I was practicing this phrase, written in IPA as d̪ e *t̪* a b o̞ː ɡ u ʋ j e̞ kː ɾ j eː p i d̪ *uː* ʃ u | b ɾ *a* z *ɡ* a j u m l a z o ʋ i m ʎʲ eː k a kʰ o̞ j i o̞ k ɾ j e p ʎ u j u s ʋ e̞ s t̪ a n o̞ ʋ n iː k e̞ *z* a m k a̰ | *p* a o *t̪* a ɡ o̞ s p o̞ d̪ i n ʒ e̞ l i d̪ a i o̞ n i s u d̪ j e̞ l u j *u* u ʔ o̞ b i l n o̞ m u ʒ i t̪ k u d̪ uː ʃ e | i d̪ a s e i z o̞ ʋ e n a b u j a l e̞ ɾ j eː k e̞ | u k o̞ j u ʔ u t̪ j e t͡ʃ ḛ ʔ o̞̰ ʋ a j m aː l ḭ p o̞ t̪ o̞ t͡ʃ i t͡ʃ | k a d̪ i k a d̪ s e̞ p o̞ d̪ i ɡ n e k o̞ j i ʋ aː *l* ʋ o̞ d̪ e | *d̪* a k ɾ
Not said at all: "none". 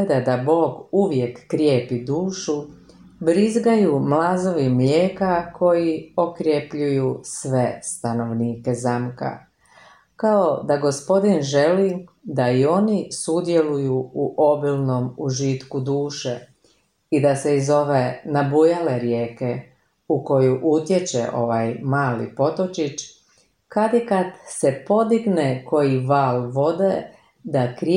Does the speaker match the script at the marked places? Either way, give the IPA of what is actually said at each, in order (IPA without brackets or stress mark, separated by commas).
d̪, uː, i, ɡ, z, k, d̪, u, l, d̪